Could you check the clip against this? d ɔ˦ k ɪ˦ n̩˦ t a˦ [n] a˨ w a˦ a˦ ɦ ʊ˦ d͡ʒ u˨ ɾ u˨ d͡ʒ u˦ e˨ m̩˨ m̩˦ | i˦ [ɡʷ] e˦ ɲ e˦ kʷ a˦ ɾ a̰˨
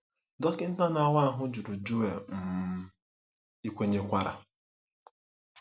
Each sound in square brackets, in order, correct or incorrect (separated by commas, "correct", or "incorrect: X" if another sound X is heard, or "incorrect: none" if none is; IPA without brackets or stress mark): correct, incorrect: kʷ